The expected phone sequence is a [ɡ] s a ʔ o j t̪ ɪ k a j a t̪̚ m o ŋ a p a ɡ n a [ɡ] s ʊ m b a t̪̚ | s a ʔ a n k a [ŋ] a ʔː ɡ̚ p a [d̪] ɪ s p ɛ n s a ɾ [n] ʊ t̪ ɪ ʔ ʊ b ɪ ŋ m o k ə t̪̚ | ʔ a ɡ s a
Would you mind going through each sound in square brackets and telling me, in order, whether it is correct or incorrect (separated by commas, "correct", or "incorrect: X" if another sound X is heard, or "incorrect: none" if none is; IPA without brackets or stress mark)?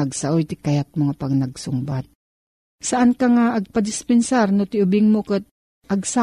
correct, correct, correct, correct, correct